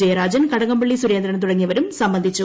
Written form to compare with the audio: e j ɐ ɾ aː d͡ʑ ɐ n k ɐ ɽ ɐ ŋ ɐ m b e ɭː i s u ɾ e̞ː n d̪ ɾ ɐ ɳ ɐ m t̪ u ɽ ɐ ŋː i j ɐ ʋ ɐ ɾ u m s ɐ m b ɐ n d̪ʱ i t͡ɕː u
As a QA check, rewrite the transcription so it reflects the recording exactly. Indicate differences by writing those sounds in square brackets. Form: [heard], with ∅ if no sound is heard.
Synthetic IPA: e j ɐ ɾ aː d͡ʑ ɐ n k ɐ ɽ ɐ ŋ ɐ m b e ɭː i s u ɾ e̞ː n d̪ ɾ ɐ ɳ ɐ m t̪ u ɽ ɐ ŋː i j ɐ ʋ ɐ ɾ u m s ɐ m b ɐ n d̪ʱ i t͡ɕː u